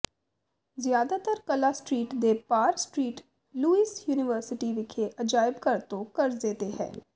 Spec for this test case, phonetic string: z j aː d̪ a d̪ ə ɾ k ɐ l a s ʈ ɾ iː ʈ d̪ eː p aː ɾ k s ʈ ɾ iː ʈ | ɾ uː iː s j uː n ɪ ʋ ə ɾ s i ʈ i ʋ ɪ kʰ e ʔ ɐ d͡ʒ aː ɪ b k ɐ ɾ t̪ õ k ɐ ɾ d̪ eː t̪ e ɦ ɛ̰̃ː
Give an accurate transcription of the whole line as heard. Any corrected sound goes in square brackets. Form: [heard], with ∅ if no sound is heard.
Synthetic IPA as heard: z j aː d̪ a [t̪] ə ɾ k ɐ l a s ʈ ɾ iː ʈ d̪ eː p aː ɾ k s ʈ ɾ iː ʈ | [l] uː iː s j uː n ɪ ʋ ə ɾ s [ɪ] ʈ i ʋ ɪ kʰ e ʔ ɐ d͡ʒ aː ɪ b k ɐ ɾ t̪ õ k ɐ ɾ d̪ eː t̪ e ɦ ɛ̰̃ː

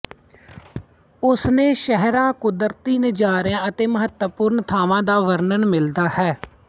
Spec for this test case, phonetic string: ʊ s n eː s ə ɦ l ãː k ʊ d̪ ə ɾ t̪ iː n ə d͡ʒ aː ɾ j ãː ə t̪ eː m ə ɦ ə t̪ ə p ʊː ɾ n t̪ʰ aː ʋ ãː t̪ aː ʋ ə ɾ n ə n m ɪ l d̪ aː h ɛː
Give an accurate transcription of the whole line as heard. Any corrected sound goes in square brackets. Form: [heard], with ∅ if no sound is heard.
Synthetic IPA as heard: ʊ s n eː [ʃ] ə ɦ [ɾ] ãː k ʊ d̪ ə ɾ t̪ iː n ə d͡ʒ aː ɾ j ãː ə t̪ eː m ə ɦ ə t̪ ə p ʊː ɾ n t̪ʰ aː ʋ ãː [d̪] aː ʋ ə ɾ n ə n m ɪ l d̪ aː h ɛː

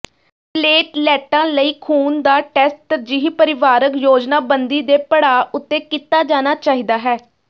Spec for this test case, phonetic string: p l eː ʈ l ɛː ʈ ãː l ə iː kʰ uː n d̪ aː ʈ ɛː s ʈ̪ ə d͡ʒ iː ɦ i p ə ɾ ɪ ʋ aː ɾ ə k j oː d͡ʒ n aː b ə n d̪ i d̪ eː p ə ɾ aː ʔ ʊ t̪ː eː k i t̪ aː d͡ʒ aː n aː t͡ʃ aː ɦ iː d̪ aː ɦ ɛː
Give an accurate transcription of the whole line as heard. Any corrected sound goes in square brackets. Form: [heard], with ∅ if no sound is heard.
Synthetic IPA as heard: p l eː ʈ l ɛː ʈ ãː l ə iː kʰ uː n d̪ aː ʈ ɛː s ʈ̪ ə d͡ʒ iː ɦ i p ə ɾ ɪ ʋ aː ɾ ə k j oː d͡ʒ n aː b ə n d̪ [iː] d̪ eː p ə [ɽ] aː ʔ ʊ t̪ː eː k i t̪ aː d͡ʒ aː n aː t͡ʃ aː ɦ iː d̪ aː ɦ ɛː

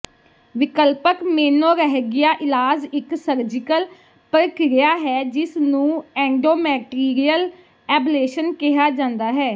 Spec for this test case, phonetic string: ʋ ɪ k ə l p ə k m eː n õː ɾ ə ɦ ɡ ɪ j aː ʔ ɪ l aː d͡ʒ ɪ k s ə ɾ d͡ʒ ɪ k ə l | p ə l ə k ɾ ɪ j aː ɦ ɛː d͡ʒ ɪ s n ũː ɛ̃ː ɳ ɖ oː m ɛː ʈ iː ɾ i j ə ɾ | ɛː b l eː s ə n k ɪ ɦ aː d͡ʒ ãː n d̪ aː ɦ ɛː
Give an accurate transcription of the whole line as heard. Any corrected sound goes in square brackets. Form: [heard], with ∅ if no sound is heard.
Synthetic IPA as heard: ʋ ɪ k ə l p ə k m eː n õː ɾ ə ɦ ɡ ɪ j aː ʔ ɪ l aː d͡ʒ ɪ k s ə ɾ d͡ʒ ɪ k ə l | p ə [ɾ] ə k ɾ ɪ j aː ɦ ɛː d͡ʒ ɪ s n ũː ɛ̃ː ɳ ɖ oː m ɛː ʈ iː ɾ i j ə [l] | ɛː b l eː [ʃ] ə n k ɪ ɦ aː d͡ʒ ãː n d̪ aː ɦ ɛː

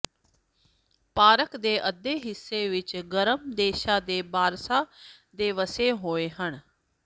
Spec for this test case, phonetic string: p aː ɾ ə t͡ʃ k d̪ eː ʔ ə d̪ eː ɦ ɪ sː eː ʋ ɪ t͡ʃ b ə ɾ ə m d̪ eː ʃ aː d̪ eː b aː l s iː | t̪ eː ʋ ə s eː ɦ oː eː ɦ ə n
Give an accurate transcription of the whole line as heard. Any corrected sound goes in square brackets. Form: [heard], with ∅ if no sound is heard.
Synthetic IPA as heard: p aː ɾ ə [∅] k d̪ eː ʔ ə d̪ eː ɦ ɪ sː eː ʋ ɪ t͡ʃ [ɡ] ə ɾ ə m d̪ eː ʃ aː d̪ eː b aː [ɾ] s [aː] | [d̪] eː ʋ ə s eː ɦ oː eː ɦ ə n

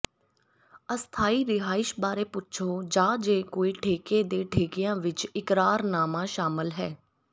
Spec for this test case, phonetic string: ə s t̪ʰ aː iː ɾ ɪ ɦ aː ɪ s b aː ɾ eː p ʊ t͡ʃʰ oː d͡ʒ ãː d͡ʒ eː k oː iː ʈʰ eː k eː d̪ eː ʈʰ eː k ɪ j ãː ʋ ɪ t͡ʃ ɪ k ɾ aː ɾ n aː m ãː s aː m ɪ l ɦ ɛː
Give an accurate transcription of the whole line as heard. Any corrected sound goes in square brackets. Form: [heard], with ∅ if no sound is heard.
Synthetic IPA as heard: ə s t̪ʰ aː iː ɾ ɪ ɦ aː ɪ [ʃ] b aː ɾ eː p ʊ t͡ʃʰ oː d͡ʒ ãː d͡ʒ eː k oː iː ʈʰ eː k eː d̪ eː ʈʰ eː k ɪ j ãː ʋ ɪ t͡ʃ ɪ k ɾ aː ɾ n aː m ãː [ʃ] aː m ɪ l ɦ ɛː

